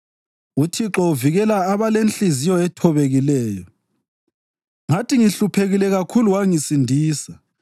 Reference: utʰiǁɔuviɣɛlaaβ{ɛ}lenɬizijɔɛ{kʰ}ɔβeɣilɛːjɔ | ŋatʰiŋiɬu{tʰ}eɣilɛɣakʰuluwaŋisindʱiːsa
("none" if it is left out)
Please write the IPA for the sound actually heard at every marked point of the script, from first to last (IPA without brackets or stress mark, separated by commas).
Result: a, tʰ, pʰ